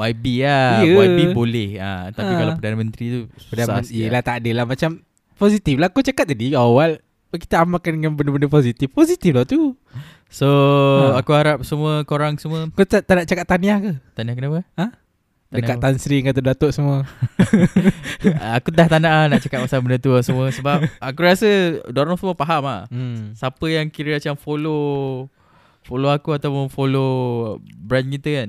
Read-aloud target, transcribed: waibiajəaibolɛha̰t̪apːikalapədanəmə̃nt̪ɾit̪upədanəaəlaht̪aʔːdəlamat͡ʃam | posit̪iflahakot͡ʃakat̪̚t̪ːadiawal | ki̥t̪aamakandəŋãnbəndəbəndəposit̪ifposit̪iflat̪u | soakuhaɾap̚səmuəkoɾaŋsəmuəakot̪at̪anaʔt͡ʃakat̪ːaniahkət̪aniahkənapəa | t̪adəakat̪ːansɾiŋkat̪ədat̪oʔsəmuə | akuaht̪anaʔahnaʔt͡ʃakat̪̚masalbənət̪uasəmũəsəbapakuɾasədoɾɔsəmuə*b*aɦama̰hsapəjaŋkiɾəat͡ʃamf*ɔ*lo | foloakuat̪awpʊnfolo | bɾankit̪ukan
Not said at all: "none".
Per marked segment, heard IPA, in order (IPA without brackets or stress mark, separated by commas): p, o